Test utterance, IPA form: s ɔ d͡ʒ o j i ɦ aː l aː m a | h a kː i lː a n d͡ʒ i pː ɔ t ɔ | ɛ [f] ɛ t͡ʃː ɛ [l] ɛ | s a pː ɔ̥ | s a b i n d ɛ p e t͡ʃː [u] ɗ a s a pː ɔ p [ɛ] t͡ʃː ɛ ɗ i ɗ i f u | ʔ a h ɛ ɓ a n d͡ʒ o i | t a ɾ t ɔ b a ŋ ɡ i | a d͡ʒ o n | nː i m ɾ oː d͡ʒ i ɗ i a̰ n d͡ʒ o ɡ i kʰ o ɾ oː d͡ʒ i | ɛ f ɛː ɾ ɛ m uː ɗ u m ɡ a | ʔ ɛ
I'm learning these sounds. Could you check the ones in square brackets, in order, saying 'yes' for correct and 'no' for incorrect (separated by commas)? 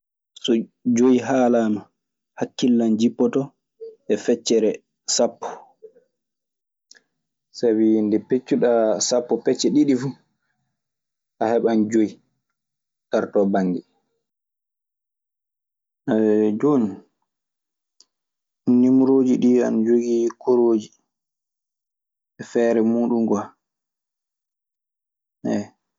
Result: yes, no, yes, yes